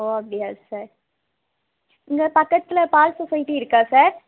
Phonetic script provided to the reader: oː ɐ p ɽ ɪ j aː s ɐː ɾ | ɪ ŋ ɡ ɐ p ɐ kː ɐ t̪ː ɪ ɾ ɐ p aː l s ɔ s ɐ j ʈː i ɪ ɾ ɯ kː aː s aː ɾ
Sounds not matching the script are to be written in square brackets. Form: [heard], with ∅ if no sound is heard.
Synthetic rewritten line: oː ɐ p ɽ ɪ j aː s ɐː ɾ | ɪ ŋ ɡ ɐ p ɐ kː ɐ t̪ː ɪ [l] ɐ p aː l s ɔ s ɐ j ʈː i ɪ ɾ ɯ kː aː s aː ɾ